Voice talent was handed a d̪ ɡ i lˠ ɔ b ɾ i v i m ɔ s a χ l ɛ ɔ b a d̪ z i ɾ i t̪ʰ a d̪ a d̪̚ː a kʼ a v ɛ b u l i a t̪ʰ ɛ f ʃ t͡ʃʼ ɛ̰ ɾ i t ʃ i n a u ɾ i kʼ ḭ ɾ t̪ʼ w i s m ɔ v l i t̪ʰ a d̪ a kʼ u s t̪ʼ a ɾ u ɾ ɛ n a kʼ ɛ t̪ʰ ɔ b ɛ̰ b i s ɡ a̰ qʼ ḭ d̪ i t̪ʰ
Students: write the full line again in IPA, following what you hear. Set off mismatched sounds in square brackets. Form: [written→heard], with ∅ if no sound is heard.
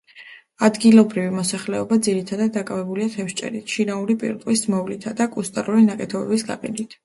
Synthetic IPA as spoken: a d̪ ɡ i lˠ ɔ b ɾ i v i m ɔ s a χ l ɛ ɔ b a d̪ z i ɾ i t̪ʰ a d̪ a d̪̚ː a kʼ a v ɛ b u l i a t̪ʰ ɛ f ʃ t͡ʃʼ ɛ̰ ɾ i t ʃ i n a u ɾ i [kʼ→pʼ] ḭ ɾ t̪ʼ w i s m ɔ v l i t̪ʰ a d̪ a kʼ u s t̪ʼ a ɾ u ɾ [ɛ→i] n a kʼ ɛ t̪ʰ ɔ b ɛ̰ b i s ɡ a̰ qʼ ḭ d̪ i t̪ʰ